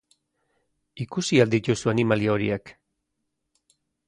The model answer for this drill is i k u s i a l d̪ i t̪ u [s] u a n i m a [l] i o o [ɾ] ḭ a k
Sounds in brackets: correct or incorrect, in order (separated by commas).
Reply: correct, correct, correct